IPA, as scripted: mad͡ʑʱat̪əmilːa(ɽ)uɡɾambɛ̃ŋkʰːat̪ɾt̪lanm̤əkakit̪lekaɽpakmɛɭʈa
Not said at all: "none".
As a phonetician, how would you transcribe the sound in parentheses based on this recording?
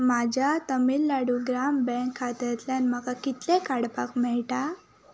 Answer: ɽ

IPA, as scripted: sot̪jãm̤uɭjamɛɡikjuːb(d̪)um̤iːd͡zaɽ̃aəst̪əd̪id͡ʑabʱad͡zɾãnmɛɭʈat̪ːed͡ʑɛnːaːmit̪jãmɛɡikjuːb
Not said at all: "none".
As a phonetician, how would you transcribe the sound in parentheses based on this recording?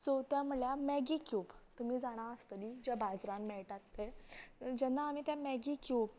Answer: t̪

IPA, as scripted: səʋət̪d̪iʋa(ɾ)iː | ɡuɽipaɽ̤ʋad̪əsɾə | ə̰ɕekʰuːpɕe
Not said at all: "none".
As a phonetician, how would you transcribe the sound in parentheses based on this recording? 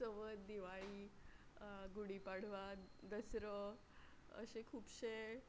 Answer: ɭ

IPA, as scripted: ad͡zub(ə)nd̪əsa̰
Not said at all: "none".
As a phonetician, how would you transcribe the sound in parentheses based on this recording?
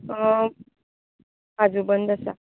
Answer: ə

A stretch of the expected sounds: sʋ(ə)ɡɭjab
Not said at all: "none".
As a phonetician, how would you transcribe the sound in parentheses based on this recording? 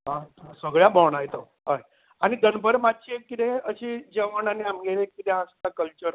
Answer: ə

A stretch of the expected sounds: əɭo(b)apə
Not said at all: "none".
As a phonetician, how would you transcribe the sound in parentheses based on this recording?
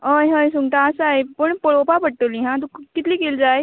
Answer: p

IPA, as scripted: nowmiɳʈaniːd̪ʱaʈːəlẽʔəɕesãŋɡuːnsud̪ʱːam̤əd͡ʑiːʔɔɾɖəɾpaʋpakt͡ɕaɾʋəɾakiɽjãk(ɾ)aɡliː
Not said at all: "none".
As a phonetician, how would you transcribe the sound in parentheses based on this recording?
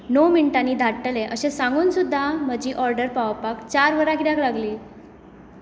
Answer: l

